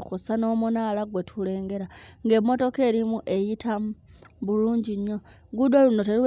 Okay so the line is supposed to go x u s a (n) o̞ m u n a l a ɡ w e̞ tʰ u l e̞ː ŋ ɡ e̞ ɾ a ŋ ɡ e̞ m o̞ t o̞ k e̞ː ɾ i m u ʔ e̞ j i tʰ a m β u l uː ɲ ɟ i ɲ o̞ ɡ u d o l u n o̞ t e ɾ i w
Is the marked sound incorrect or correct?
correct